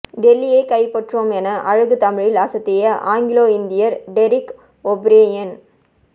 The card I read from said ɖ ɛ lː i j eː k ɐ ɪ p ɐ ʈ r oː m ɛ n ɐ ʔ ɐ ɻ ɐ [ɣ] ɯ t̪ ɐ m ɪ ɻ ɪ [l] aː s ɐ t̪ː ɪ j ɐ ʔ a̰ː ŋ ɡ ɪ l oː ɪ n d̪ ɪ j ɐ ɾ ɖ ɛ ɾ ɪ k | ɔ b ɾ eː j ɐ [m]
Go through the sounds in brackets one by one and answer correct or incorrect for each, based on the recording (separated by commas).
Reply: correct, correct, incorrect